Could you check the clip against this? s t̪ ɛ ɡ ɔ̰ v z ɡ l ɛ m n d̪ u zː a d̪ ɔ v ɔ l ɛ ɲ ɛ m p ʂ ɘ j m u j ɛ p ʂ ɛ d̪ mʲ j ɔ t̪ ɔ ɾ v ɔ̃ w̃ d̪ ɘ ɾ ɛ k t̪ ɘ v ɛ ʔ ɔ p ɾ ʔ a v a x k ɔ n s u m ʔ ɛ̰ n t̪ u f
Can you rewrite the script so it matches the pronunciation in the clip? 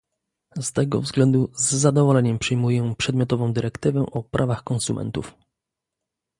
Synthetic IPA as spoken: s t̪ ɛ ɡ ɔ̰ v z ɡ l ɛ n d̪ u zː a d̪ ɔ v ɔ l ɛ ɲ ɛ m p ʂ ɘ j m u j ɛ p ʂ ɛ d̪ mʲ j ɔ t̪ ɔ v ɔ̃ w̃ d̪ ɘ ɾ ɛ k t̪ ɘ v ɛ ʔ ɔ p ɾ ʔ a v a x k ɔ n s u m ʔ ɛ̰ n t̪ u f